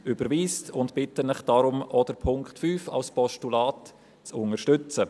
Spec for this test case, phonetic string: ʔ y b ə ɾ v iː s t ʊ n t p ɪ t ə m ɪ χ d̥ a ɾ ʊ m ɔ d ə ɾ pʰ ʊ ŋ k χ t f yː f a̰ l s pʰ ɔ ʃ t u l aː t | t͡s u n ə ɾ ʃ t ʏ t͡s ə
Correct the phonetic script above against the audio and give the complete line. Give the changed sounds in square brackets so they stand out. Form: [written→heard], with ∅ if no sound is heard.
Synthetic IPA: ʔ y b ə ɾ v iː s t ʊ n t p ɪ t ə [m→n] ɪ χ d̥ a ɾ ʊ m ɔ d ə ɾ pʰ ʊ ŋ k χ t f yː f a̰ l s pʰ ɔ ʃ t u l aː t | t͡s [u→ʊ] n ə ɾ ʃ t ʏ t͡s ə